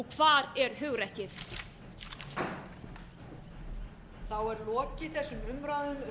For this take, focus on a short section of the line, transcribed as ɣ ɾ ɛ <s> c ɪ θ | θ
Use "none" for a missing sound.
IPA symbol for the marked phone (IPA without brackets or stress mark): h